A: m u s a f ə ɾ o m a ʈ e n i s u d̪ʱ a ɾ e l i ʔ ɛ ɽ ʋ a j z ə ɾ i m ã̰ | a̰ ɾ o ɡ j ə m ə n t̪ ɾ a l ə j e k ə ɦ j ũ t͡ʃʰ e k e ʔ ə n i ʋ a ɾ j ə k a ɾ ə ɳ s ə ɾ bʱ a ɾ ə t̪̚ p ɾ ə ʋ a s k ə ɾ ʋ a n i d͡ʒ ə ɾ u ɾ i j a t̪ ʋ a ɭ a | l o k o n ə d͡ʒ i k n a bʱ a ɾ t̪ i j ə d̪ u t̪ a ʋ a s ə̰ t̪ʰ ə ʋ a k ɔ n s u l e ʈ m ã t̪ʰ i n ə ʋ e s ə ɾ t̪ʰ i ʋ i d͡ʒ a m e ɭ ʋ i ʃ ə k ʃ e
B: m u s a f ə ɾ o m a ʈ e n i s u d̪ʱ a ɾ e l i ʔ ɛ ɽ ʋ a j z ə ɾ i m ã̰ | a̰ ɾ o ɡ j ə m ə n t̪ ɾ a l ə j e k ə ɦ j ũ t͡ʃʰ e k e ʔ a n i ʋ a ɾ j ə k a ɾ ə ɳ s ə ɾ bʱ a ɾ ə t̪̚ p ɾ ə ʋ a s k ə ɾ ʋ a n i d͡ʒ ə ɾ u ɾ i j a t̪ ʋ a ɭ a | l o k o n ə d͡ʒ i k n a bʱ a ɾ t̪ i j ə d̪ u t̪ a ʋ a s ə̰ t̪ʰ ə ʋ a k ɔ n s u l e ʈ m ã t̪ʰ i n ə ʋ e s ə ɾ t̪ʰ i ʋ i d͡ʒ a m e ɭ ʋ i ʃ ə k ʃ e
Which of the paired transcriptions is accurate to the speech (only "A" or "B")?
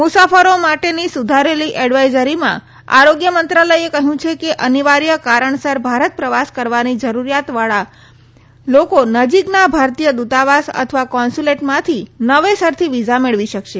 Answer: A